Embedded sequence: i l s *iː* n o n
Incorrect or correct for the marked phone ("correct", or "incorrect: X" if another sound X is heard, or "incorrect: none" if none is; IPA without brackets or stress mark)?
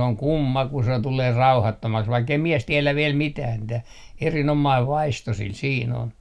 correct